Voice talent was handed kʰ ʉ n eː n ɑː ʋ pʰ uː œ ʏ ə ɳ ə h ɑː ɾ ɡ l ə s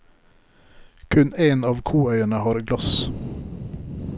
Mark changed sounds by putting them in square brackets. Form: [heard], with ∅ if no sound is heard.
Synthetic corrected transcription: kʰ ʉ n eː n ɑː ʋ [kʰ] uː œ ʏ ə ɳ ə h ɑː ɾ ɡ l [ɑ] s